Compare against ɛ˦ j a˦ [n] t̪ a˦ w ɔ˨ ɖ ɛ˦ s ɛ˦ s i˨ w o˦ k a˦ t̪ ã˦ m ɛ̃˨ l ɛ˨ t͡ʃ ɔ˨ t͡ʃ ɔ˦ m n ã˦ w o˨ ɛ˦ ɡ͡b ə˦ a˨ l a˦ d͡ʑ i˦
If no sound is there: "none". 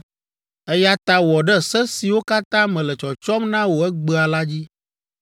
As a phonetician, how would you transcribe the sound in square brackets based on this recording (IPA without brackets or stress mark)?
none